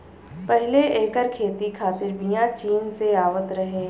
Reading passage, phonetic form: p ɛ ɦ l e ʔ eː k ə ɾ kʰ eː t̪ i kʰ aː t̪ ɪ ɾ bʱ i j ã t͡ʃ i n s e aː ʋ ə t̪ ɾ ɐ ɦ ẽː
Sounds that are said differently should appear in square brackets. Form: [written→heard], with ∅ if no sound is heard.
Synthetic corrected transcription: p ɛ ɦ l e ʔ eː k ə ɾ kʰ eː t̪ i kʰ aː t̪ ɪ ɾ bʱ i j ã t͡ʃ [i→iː] n s e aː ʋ ə t̪ ɾ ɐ ɦ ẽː